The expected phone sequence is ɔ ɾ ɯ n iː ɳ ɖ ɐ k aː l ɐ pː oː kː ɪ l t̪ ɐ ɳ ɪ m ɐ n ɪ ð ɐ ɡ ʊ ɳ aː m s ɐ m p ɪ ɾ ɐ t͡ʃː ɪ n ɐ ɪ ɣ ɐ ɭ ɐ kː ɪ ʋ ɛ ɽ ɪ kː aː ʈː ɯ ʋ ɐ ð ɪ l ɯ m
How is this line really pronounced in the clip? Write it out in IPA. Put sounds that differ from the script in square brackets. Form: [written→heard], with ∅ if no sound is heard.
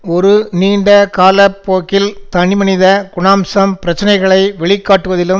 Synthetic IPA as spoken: ɔ ɾ ɯ n iː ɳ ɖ ɐ k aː l ɐ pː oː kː ɪ l t̪ ɐ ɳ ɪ m ɐ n ɪ ð ɐ ɡ ʊ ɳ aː m s ɐ m p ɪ ɾ ɐ t͡ʃː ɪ n ɐ ɪ ɣ ɐ ɭ ɐ [kː→∅] ɪ ʋ ɛ [ɽ→ɭ] ɪ kː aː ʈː ɯ ʋ ɐ ð ɪ l ɯ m